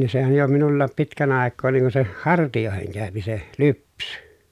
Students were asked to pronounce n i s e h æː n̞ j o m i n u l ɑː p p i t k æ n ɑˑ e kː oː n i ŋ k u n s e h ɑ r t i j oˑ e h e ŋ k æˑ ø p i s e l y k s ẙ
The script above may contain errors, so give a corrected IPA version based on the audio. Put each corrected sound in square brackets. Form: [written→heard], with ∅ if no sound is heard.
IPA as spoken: n i s e h [æː→æ] n̞ j o m i n u [l→lː] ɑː p p i t k æ n ɑˑ e kː oː n i ŋ k u n s e h ɑ r t i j oˑ e h e ŋ k æˑ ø p i s e l y [k→p] s ẙ